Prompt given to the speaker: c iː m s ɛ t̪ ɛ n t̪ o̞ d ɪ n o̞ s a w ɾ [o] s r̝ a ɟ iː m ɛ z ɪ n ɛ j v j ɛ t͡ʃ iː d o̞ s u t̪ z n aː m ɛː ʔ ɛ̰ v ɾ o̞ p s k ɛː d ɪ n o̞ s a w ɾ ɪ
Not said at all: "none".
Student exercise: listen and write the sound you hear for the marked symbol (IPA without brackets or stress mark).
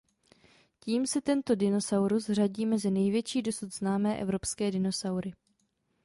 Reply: u